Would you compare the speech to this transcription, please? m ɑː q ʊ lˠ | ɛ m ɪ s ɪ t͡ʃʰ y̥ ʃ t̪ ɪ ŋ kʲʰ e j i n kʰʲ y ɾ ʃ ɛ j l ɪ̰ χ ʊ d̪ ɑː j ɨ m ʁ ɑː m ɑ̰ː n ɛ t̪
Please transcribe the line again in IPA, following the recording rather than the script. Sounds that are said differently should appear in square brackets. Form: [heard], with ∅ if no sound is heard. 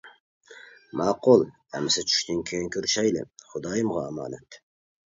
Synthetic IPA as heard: m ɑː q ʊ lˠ | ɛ m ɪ s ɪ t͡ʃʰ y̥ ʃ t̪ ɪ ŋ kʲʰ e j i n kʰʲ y ɾ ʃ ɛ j l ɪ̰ χ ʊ d̪ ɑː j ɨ m ʁ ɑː m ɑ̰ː n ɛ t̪